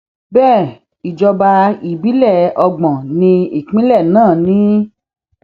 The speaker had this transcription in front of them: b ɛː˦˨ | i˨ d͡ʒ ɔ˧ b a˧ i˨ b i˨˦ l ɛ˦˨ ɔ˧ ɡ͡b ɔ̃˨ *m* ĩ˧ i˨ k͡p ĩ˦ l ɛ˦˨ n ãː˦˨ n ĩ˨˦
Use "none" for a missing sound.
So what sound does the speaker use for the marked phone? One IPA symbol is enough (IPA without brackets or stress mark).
n